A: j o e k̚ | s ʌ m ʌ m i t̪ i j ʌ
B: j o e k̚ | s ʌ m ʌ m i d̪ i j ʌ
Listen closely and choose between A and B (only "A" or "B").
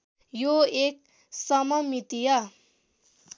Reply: A